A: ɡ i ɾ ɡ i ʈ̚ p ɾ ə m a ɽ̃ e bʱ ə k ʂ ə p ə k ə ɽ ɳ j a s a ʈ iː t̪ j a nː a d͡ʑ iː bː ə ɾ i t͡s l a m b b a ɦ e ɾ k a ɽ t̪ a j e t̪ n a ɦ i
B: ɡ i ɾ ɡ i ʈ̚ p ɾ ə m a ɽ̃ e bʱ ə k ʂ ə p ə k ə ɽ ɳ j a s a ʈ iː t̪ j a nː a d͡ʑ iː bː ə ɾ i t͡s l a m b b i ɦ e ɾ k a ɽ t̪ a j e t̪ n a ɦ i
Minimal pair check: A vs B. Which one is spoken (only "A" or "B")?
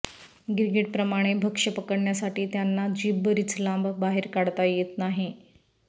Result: A